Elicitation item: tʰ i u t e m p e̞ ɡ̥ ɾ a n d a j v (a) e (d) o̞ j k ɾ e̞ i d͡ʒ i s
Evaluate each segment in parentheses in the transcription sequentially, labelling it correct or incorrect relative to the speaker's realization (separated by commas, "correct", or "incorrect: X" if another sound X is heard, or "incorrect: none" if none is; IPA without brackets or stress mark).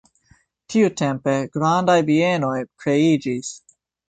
incorrect: i, incorrect: n